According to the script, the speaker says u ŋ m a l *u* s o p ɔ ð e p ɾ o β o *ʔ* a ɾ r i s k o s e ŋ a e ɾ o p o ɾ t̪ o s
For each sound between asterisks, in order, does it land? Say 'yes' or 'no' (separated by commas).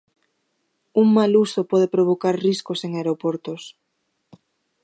yes, no